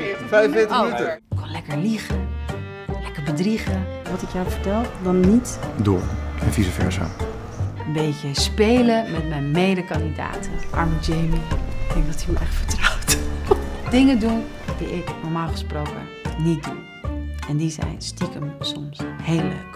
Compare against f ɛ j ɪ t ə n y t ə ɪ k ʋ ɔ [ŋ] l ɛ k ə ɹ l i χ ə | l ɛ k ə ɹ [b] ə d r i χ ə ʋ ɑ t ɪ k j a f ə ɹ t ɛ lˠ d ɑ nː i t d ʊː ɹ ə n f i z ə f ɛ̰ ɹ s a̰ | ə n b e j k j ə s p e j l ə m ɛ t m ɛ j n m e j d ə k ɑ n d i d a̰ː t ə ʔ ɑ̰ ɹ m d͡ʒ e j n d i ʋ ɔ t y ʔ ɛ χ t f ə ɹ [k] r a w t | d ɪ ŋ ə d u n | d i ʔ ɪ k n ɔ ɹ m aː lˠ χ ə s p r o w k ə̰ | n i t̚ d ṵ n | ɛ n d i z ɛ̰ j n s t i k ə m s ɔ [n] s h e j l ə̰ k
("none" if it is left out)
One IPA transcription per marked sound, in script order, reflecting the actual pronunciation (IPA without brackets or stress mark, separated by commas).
n, b, t, m